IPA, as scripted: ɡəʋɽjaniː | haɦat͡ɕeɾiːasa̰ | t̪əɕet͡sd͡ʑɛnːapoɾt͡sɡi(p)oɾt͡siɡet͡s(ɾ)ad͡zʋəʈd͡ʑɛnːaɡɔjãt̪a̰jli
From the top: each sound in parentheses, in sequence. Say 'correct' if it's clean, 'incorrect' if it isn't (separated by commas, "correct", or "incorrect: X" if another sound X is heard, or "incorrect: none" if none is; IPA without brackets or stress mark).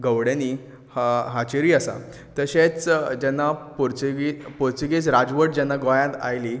correct, correct